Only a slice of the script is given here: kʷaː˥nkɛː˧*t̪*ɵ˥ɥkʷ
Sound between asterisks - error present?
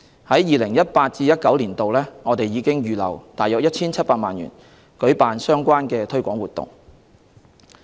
yes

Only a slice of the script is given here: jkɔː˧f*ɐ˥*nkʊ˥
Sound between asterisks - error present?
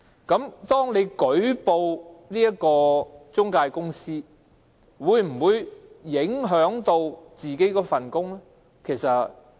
yes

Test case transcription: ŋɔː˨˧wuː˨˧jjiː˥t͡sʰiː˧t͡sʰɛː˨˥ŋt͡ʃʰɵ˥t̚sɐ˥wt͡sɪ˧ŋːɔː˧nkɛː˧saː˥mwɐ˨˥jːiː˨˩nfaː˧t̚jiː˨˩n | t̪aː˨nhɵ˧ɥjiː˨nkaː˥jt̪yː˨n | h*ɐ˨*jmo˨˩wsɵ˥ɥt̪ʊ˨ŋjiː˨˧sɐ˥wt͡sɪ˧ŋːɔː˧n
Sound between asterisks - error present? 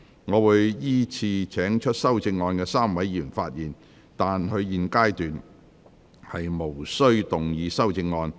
no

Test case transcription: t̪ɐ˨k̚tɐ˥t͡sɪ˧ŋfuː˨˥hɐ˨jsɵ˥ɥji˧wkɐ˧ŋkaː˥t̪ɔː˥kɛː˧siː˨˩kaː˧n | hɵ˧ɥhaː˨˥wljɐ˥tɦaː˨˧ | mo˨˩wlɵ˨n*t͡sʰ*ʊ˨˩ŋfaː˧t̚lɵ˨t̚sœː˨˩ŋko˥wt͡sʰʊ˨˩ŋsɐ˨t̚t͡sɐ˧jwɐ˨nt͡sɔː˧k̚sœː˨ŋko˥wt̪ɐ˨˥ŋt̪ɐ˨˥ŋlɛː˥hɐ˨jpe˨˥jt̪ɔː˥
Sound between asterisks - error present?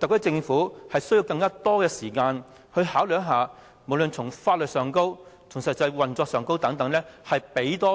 no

